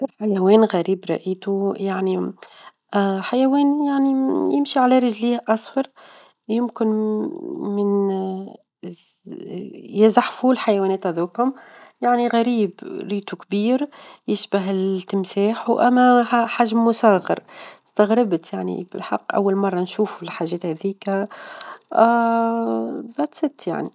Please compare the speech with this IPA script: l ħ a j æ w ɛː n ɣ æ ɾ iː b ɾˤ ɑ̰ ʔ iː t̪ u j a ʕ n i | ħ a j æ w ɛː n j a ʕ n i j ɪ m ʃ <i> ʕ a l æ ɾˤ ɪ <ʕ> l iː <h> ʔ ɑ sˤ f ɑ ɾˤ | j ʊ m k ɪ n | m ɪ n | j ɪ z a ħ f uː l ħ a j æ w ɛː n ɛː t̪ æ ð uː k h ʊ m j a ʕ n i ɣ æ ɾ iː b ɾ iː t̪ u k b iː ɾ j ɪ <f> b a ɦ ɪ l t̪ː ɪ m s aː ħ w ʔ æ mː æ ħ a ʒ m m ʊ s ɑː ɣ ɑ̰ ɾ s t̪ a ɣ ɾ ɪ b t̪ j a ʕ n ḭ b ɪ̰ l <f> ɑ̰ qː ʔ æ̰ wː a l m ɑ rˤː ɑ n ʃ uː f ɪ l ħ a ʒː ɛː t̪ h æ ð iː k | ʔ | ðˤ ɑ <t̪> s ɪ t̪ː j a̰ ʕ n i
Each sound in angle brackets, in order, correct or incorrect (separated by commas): correct, incorrect, correct, incorrect, incorrect, correct